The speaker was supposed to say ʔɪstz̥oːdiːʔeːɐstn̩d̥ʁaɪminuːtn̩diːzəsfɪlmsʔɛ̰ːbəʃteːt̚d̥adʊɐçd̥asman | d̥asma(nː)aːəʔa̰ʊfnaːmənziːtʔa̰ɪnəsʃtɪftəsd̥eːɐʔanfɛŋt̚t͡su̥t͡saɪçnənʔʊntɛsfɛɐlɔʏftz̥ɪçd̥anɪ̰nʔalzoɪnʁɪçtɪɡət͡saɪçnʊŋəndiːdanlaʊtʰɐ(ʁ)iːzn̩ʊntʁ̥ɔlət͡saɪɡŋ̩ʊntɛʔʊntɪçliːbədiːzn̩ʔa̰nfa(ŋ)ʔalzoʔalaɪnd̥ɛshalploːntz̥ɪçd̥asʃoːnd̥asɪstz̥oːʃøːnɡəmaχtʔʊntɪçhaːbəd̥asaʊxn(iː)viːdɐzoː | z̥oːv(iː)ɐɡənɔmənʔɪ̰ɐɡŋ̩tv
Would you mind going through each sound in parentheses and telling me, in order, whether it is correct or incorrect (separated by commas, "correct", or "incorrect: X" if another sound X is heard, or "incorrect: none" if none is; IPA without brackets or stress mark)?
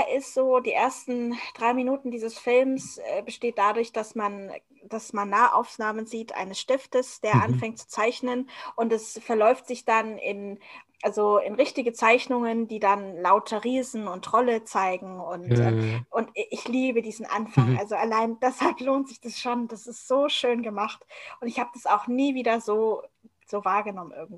correct, correct, correct, correct, incorrect: aː